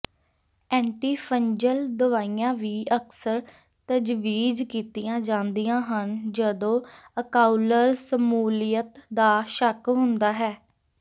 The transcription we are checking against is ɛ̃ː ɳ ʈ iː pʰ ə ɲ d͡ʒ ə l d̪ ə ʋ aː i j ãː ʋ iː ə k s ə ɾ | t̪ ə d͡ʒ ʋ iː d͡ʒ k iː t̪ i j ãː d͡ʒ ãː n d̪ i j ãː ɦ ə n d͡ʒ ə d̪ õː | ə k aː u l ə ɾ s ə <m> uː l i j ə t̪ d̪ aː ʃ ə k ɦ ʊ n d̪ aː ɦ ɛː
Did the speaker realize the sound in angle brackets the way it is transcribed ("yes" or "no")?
yes